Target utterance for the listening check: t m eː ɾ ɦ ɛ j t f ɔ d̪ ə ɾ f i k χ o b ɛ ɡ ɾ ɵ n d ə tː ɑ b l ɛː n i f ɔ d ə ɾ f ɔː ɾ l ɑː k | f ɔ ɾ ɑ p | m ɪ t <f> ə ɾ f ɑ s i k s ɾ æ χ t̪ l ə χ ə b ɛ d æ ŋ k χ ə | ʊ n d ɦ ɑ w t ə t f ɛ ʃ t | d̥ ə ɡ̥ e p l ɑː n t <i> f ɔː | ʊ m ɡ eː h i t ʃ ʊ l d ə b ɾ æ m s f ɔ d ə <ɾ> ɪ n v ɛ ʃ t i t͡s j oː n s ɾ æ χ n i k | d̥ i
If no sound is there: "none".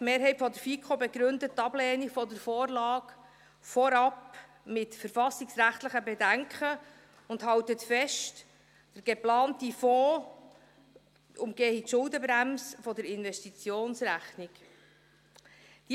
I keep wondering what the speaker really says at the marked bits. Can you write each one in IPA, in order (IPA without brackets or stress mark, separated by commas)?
f, i, ɾ